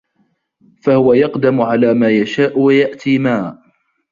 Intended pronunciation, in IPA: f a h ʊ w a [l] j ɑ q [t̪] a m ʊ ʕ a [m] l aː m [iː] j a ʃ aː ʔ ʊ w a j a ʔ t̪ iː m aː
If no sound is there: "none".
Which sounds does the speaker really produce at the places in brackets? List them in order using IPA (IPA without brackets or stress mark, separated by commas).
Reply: none, d̪, none, aː